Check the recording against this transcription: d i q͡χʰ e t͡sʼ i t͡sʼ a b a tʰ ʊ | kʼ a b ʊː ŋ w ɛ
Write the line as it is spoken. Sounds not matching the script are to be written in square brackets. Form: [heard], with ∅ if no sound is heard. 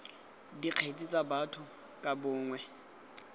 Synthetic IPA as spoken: d i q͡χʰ e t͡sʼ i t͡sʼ a b a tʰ ʊ | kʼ a b ʊː ŋ w ɛ